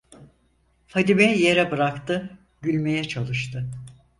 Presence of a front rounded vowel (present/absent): present